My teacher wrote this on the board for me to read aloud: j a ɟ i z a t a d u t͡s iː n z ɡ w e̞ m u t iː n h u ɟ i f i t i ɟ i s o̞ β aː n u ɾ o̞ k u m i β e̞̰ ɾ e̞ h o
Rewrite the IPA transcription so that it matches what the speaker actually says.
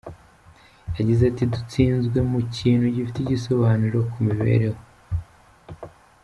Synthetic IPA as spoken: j a ɟ i z a t i d u t͡s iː n z ɡ w e̞ m u c iː n h u ɟ i f i t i ɟ i s o̞ β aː n u ɾ o̞ k u m i β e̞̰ ɾ e̞ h o

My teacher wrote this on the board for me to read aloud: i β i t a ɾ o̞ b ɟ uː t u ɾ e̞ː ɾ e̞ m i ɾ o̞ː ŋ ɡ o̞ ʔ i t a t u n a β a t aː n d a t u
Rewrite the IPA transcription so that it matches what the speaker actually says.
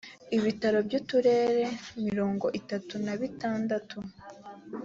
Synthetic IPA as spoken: i β i t a ɾ o̞ b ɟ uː t u ɾ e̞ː ɾ e̞ m i ɾ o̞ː ŋ ɡ o̞ ʔ i t a t u n a β i t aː n d a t u

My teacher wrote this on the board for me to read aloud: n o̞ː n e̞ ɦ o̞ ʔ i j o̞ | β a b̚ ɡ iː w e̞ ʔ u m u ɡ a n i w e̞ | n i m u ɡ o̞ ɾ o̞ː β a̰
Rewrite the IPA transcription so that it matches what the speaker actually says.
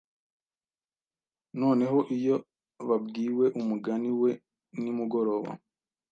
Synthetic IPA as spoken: n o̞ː n e̞ ɦ o̞ ʔ i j o̞ | β a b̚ ɡ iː w e̞ ʔ u m u ɡ a n i w e̞ | n i m u ɡ o̞ ɾ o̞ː β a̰

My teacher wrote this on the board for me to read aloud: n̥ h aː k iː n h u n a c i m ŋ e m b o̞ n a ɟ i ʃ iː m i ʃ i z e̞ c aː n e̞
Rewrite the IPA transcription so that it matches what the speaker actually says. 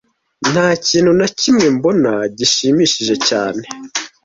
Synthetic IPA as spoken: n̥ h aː c iː n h u n a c i m ŋ e m b o̞ n a ɟ i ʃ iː m i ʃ i ʒ e̞ c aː n e̞

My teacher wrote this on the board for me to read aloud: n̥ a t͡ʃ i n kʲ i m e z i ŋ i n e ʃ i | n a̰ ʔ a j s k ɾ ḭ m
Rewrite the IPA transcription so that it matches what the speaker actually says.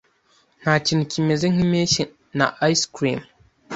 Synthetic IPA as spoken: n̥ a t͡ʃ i n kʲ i m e z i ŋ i m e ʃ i | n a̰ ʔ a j s k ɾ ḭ m

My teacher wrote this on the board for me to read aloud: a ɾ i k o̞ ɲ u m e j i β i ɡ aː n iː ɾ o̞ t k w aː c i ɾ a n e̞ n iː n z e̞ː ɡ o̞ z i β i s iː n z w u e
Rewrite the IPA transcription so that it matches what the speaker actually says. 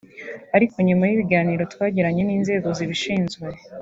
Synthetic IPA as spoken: a ɾ i k o̞ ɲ u m a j i β i ɡ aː n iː ɾ o̞ t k w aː ɟ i ɾ a ɲ e̞ n iː n z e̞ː ɡ o̞ z i β i ʃ iː n z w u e

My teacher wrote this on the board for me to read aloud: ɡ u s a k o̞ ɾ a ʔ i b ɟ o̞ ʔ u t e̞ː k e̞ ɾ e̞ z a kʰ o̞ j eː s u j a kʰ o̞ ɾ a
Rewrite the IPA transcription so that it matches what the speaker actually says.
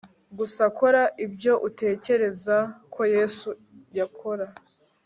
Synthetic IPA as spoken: ɡ u s a k o̞ ɾ a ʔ i b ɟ o̞ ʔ u t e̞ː c e̞ ɾ e̞ z a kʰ o̞ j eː s u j a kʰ o̞ ɾ a

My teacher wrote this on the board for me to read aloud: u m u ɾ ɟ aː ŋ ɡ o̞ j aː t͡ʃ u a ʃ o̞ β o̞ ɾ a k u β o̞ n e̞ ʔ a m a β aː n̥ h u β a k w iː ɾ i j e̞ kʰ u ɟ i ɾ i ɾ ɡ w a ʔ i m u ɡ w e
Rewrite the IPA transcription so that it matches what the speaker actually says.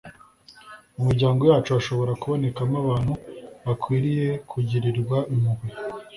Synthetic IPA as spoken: u m u ɾ ɟ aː ŋ ɡ o̞ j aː t͡ʃ u a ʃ o̞ β o̞ ɾ a k u β o̞ n e̞ k a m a β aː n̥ h u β a k w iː ɾ i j e̞ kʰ u ɟ i ɾ i ɾ ɡ w a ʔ i m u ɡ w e

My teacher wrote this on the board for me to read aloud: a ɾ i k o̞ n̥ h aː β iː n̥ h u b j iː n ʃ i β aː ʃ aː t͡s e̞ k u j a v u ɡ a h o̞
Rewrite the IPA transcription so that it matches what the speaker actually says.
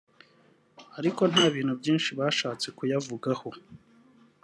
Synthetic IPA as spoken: a ɾ i k o̞ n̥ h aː β iː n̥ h u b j iː n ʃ i β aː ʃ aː t͡s e̞ k u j a v u ɡ a h o̞

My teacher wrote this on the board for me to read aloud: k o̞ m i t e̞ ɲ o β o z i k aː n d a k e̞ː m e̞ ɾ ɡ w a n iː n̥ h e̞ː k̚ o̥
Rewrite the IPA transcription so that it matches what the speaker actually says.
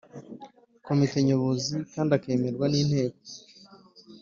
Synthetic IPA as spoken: k o̞ m i t e̞ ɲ o β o z i k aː n d a k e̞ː m e̞ ɾ ɡ w a n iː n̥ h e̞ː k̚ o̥

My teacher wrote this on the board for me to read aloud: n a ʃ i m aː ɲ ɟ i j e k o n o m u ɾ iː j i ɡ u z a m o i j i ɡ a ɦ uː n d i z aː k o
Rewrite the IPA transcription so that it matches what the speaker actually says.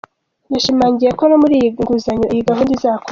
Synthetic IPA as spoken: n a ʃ i m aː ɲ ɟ i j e k o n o m u ɾ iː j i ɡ u z a ɲ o i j i ɡ a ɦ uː n d i z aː k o

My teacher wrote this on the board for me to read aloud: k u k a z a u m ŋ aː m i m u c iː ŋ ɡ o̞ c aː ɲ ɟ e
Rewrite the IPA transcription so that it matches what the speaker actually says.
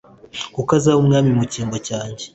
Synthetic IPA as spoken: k u k a z a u m ŋ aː m i m u c iː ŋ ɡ o̞ c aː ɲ ɟ e

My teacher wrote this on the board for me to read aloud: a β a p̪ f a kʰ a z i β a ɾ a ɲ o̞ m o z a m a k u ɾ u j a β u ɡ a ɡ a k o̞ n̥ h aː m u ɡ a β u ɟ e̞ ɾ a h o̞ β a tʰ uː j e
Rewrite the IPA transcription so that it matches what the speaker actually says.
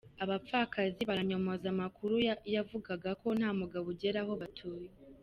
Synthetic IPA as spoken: a β a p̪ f a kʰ a z i β a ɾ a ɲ o̞ m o z a m a k u ɾ u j a v u ɡ a ɡ a k o̞ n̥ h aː m u ɡ a β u ɟ e̞ ɾ a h o̞ β a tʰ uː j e

